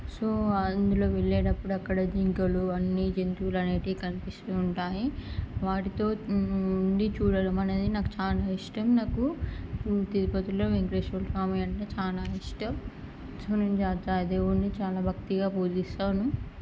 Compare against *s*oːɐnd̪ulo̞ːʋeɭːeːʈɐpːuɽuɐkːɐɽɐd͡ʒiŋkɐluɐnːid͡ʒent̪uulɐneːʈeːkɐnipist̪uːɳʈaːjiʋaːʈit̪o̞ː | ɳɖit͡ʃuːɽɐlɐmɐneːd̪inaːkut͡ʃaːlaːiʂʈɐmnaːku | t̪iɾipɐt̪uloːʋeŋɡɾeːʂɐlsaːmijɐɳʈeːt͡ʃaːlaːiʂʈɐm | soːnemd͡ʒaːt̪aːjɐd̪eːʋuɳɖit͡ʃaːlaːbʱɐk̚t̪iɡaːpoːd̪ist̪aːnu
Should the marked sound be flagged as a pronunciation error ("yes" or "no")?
no